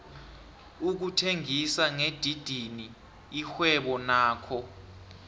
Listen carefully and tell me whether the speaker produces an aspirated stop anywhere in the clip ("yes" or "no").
yes